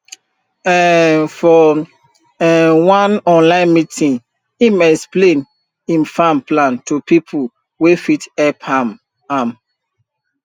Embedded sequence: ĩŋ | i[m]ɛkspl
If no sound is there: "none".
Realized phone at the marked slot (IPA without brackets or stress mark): m